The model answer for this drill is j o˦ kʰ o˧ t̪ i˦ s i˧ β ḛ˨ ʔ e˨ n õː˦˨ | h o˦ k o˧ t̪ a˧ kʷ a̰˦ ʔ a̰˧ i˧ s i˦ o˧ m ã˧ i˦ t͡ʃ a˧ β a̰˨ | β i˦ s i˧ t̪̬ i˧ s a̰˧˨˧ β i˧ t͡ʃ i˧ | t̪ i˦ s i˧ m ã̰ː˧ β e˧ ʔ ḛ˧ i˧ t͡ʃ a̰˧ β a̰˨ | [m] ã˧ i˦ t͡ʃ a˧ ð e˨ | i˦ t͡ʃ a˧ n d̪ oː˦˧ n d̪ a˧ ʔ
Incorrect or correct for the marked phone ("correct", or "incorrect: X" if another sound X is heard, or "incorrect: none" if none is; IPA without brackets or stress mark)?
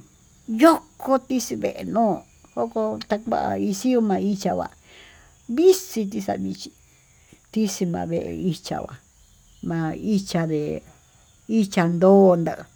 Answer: correct